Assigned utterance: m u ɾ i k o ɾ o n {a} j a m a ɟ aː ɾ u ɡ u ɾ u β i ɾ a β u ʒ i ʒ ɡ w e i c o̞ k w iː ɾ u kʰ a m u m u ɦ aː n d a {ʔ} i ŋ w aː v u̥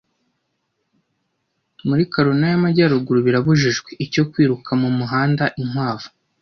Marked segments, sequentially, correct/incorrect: correct, correct

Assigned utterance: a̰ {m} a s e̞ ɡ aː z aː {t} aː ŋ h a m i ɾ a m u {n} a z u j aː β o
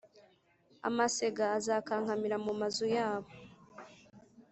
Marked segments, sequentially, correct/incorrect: correct, incorrect: k, incorrect: m

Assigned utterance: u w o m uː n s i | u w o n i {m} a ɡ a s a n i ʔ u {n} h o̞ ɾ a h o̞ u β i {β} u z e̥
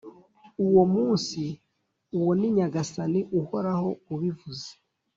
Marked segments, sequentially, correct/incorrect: incorrect: ɲ, incorrect: none, incorrect: v

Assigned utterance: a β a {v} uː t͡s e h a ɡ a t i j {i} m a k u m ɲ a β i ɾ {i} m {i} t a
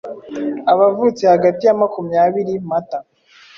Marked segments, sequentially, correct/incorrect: correct, incorrect: a, correct, incorrect: a

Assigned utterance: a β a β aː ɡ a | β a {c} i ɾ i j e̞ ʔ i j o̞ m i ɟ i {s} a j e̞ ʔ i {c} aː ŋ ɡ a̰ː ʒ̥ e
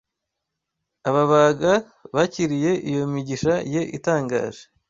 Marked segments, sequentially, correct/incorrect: correct, incorrect: ʃ, incorrect: t

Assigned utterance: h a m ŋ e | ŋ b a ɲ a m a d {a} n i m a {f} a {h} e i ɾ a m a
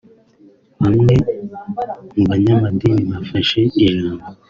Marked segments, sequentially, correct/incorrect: incorrect: i, correct, incorrect: ʃ

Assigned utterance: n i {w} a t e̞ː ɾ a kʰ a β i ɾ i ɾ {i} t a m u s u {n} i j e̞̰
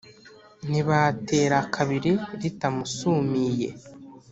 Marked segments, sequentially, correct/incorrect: incorrect: β, correct, incorrect: m

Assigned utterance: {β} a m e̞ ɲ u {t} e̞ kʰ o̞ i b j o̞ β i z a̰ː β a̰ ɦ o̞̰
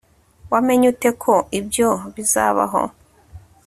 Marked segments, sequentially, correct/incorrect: incorrect: w, correct

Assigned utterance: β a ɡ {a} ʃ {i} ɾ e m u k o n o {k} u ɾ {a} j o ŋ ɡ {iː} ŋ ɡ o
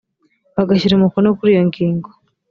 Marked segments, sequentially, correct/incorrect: correct, correct, correct, incorrect: i, correct

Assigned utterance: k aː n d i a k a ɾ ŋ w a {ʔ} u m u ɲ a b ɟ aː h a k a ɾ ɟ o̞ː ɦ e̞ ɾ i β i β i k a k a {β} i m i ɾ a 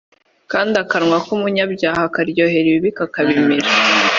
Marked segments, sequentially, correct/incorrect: incorrect: k, correct

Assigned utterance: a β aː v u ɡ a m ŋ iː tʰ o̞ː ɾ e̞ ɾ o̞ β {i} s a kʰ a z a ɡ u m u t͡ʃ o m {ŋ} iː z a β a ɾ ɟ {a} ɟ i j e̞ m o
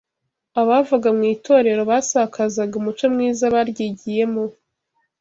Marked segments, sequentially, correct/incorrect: incorrect: a, correct, incorrect: i

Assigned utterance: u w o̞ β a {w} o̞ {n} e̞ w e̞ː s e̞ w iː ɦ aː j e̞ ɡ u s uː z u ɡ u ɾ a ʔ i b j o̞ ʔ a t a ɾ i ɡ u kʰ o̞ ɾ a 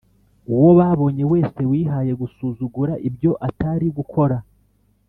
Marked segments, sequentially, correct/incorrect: incorrect: β, incorrect: ɲ

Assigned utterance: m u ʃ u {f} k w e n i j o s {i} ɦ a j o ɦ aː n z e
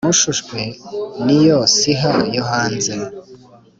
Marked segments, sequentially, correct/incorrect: incorrect: ʃ, correct

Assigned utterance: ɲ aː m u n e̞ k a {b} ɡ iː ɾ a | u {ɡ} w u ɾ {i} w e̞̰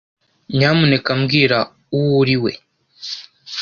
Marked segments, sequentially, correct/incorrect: incorrect: m, incorrect: none, correct

